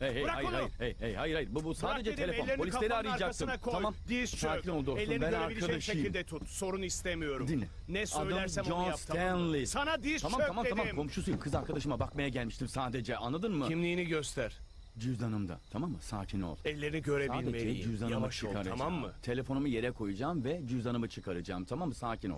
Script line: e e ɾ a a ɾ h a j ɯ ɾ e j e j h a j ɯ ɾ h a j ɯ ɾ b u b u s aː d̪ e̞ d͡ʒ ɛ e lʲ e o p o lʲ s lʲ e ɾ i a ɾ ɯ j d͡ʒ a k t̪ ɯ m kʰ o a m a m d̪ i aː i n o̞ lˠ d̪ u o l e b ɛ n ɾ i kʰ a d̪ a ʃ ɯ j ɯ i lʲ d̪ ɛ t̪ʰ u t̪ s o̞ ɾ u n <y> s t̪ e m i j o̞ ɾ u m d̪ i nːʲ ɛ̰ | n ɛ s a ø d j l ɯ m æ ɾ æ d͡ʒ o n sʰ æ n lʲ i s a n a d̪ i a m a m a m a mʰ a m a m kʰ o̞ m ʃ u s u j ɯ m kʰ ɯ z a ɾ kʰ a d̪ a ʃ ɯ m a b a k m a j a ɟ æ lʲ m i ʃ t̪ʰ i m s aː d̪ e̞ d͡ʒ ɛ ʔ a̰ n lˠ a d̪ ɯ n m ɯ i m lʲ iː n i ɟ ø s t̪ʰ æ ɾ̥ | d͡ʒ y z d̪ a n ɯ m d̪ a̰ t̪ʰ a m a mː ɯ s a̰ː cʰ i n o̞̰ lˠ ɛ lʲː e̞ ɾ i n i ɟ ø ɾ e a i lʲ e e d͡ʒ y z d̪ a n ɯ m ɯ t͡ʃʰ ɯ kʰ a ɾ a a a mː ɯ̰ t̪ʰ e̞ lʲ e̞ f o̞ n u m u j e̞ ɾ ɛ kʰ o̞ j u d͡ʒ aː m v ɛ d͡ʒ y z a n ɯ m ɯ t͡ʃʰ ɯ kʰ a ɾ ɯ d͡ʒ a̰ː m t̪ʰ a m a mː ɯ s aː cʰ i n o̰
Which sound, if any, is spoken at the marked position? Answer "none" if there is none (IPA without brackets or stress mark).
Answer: i